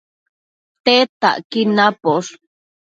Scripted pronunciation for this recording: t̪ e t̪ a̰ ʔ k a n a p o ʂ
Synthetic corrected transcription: t̪ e t̪ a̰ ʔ k i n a p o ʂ